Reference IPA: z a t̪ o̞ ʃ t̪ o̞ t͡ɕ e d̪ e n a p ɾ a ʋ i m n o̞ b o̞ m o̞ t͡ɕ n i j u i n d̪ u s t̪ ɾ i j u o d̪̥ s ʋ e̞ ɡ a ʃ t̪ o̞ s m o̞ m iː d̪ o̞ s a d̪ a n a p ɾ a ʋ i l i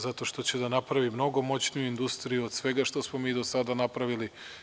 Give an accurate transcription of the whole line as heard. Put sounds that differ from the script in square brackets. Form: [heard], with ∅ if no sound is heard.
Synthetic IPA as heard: z a t̪ o̞ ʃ t̪ o̞ t͡ɕ e d̪ [a] n a p ɾ a ʋ i m n o̞ [ɡ] o̞ m o̞ t͡ɕ n i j u i n d̪ u s t̪ ɾ i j u o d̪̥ s ʋ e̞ ɡ a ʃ t̪ o̞ s m o̞ m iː d̪ o̞ s a d̪ a n a p ɾ a ʋ i l i